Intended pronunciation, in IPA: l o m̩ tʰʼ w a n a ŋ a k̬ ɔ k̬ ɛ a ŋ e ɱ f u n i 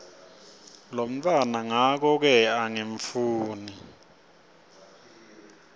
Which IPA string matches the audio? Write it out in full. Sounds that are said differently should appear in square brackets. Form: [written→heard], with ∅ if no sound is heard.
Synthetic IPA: l o m̩ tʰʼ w a n a ŋ a k̬ ɔ k̬ ɛ a ŋ e ɱ f [u→uː] n i